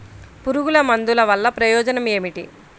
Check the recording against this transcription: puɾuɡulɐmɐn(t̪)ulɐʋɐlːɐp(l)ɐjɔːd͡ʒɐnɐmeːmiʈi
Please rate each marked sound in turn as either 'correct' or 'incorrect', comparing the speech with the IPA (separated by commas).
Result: incorrect, incorrect